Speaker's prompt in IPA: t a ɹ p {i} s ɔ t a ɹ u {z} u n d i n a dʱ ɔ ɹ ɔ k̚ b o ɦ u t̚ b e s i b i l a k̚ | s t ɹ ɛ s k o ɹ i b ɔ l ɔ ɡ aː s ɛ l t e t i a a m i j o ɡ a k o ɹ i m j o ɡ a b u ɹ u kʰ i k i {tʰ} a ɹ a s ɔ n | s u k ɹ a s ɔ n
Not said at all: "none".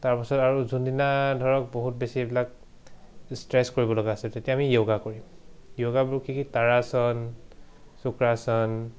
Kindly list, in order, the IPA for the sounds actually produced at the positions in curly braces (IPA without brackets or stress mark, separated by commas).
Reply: a, z, t